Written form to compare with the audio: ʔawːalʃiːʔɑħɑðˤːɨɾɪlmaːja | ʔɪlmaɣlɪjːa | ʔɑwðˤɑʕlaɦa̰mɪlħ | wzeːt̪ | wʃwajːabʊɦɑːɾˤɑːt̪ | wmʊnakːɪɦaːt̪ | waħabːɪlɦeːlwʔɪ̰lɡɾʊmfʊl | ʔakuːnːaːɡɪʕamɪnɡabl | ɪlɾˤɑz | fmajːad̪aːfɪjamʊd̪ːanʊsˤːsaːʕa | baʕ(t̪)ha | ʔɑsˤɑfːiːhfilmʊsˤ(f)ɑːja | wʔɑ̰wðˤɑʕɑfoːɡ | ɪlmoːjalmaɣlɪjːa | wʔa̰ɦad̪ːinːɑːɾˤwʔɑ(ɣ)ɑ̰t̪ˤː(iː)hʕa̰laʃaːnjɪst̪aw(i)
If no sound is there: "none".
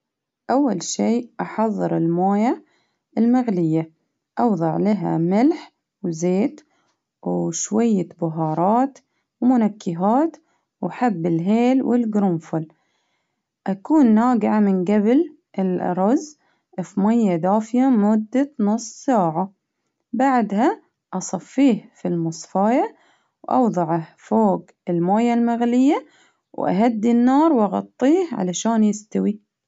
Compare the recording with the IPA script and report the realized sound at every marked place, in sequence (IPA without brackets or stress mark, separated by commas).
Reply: d̪, f, ɣ, iː, i